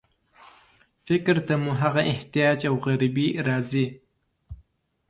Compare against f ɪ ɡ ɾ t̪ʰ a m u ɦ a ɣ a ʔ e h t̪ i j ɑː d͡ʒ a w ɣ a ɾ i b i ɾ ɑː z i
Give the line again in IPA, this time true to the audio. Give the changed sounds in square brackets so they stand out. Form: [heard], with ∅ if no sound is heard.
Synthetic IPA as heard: f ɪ [k] ɾ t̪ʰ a m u ɦ a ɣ a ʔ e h t̪ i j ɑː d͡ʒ a w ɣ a ɾ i b i ɾ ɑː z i